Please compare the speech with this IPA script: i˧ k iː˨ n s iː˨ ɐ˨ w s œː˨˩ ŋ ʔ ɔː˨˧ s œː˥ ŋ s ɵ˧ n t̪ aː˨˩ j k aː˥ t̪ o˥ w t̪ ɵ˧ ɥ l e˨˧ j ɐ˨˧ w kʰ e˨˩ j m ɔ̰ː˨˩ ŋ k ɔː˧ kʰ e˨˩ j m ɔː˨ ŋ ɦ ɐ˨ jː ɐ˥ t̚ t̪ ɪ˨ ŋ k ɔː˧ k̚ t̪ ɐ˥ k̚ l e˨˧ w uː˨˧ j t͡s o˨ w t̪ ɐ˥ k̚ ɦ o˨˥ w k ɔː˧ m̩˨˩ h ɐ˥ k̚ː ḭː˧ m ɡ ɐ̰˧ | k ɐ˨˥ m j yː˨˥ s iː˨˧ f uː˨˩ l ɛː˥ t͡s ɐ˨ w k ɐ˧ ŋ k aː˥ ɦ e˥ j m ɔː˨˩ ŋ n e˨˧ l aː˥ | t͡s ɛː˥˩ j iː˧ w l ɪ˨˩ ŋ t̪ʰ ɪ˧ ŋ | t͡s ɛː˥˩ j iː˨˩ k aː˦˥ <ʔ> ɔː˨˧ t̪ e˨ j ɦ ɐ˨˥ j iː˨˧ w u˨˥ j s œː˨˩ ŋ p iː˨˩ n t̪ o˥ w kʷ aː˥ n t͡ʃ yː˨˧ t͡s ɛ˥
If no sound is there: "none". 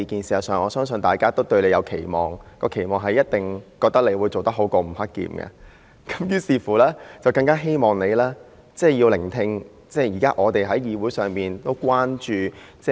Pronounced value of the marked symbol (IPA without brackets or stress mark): ʔ